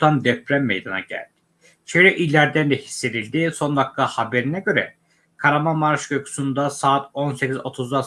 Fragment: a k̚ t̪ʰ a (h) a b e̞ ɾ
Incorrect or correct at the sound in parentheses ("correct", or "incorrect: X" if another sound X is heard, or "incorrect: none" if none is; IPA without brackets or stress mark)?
correct